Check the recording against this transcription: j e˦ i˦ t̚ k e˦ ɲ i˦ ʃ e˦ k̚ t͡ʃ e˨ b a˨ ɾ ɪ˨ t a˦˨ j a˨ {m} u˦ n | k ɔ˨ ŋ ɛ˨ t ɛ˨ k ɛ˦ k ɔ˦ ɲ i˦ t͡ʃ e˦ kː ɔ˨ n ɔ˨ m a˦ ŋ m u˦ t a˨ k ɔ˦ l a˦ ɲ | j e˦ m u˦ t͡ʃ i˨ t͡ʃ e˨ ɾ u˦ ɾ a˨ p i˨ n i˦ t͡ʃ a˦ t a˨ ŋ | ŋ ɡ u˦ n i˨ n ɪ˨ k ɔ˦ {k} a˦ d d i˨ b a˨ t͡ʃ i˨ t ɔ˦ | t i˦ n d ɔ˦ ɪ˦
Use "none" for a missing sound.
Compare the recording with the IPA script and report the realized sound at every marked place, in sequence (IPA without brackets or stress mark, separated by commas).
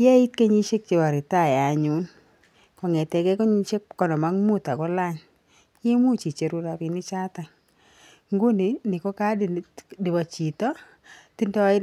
ɲ, k